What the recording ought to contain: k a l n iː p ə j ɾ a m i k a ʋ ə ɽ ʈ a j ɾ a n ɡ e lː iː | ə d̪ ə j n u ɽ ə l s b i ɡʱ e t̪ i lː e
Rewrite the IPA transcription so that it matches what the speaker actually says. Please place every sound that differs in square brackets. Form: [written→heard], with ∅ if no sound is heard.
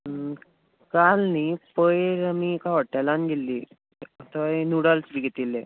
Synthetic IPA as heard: k a l n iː p ə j ɾ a m i k a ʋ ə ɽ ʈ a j [ɾ→l] a n ɡ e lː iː | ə [d̪→t̪] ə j n u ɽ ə l s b i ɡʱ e t̪ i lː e

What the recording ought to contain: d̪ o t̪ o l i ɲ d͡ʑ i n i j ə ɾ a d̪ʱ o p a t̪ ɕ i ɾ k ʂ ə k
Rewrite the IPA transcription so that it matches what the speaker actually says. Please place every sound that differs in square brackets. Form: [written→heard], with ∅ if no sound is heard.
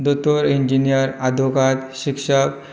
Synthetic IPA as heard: d̪ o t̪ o [l→ɾ] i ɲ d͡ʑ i n i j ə ɾ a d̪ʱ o [p→k] a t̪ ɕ i [ɾ→∅] k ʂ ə k

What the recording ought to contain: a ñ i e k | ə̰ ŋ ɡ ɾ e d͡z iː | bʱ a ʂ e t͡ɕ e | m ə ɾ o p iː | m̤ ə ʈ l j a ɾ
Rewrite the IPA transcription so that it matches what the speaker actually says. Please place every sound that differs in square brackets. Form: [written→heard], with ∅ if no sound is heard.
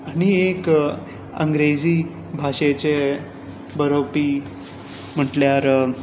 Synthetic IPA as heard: a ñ i e k | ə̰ ŋ ɡ ɾ e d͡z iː | bʱ a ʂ e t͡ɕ e | [m→b] ə ɾ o p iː | m̤ ə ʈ l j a ɾ

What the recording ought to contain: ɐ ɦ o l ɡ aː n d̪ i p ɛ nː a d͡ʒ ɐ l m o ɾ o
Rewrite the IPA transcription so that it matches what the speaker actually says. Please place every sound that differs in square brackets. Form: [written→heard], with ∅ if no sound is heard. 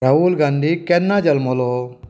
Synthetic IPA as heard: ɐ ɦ [o→u] l ɡ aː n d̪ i [p→k] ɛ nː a d͡ʒ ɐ l m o [ɾ→l] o

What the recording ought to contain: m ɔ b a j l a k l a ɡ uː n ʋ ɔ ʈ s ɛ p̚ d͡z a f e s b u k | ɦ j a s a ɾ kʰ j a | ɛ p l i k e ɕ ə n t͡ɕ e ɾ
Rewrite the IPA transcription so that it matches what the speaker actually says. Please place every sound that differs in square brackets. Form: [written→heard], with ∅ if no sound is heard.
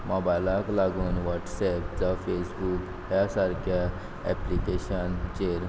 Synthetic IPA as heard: m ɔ b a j l a k l a ɡ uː n ʋ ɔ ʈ s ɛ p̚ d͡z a f e s b u k | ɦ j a s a ɾ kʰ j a | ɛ p l i k e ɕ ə n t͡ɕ e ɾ

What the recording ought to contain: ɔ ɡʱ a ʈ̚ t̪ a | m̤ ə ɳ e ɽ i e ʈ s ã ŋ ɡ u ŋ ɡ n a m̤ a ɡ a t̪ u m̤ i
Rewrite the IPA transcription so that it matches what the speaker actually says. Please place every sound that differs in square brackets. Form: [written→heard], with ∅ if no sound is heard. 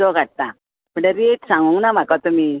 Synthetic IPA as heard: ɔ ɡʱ a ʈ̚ t̪ a | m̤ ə ɳ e [ɽ→ɾ] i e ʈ s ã ŋ ɡ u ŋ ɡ n a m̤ a [ɡ→k] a t̪ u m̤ i

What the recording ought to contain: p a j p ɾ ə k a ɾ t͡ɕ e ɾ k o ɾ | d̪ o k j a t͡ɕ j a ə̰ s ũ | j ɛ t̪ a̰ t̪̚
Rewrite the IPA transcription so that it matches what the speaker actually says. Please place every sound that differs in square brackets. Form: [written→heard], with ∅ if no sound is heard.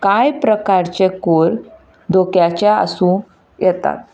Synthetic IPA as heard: [p→k] a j p ɾ ə k a ɾ t͡ɕ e [ɾ→∅] k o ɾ | d̪ o k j a t͡ɕ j a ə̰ s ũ | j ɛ t̪ a̰ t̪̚

